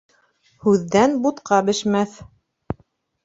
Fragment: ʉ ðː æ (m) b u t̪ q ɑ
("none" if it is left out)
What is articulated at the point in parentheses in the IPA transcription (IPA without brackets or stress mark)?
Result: n